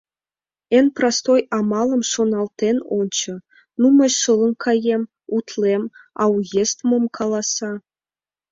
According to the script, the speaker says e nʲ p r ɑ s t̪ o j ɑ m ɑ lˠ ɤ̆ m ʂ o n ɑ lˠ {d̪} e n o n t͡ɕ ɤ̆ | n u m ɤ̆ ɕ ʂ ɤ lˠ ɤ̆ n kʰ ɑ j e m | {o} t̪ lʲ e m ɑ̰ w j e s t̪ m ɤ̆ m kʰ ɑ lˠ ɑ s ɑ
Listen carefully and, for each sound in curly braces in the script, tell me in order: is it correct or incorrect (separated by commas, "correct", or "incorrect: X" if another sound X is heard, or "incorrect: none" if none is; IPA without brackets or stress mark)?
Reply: incorrect: t̪, incorrect: u